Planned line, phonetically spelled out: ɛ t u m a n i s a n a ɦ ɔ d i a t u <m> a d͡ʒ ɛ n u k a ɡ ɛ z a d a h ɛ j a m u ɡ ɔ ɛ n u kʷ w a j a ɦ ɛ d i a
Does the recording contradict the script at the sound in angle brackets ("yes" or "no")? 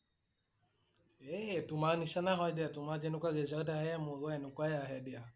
no